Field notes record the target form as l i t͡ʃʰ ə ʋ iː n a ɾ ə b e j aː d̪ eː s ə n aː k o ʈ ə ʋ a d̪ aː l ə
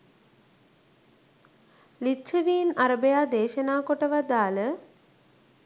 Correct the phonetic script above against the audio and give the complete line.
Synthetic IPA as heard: l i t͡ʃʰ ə ʋ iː n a ɾ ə b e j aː d̪ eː ʃ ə n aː k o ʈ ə ʋ a d̪ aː l ə